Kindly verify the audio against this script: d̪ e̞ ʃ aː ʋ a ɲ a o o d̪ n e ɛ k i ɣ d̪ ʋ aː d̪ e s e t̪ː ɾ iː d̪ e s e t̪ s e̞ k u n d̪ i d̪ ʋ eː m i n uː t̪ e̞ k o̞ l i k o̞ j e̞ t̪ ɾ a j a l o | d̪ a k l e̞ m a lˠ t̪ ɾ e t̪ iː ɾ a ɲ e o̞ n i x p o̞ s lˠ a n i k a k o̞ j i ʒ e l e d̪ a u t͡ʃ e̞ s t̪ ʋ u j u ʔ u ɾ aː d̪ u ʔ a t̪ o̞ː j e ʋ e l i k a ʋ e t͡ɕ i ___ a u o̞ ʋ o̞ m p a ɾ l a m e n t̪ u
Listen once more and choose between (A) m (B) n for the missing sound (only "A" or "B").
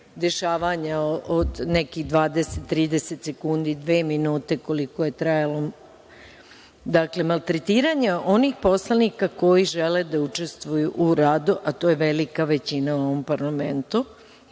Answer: B